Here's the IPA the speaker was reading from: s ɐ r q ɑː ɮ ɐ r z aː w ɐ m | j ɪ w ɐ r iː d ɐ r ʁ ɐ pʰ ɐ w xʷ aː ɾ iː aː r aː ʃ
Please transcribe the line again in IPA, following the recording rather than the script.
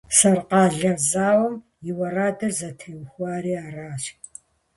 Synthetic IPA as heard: s ɐ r q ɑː ɮ ɐ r z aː w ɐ m | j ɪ w ɐ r aː d ɐ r z ɐ tʰ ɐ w xʷ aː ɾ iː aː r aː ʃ